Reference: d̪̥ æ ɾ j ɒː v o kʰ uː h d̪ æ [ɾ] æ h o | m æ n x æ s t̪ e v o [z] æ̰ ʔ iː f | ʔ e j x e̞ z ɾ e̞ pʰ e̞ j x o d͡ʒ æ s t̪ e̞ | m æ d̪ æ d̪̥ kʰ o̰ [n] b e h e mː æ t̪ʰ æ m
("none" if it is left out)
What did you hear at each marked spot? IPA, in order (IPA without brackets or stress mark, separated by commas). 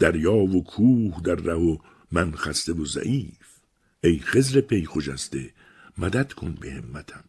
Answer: ɾː, z, n